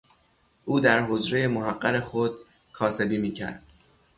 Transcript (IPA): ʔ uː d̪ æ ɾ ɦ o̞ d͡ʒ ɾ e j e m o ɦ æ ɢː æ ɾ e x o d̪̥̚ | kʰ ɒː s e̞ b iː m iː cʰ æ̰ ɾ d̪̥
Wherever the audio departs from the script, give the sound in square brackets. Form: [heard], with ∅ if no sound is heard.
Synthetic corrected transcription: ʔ uː d̪ æ ɾ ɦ o̞ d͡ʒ ɾ e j e m o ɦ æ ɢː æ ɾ e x o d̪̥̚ | kʰ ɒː s e̞ b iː m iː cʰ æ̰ ɾ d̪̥